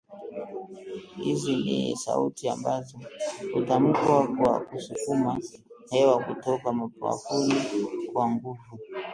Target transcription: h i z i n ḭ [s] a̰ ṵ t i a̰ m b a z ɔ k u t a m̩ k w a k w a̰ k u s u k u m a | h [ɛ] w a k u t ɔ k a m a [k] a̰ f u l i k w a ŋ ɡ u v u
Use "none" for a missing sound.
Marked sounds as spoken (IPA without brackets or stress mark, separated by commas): s, ɛ, p